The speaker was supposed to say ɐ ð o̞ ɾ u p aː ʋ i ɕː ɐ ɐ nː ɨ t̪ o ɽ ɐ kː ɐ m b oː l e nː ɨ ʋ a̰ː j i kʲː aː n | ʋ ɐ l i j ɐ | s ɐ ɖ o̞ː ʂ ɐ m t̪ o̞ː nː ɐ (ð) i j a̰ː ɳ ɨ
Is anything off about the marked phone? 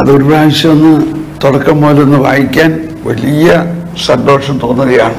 no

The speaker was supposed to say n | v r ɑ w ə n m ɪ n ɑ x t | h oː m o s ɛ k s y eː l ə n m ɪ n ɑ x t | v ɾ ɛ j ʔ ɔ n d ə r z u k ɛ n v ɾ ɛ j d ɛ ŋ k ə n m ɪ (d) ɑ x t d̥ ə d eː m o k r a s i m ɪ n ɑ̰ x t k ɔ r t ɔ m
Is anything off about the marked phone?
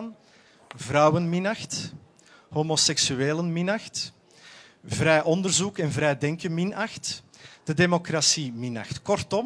yes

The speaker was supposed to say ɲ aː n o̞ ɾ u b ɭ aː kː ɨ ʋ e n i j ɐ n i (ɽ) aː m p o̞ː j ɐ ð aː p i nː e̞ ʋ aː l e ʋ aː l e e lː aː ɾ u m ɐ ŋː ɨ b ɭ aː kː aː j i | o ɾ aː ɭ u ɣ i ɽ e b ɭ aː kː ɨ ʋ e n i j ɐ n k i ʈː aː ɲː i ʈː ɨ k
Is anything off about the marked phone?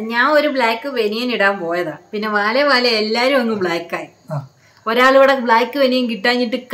no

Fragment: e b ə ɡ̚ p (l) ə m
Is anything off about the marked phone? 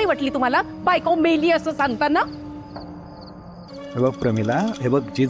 yes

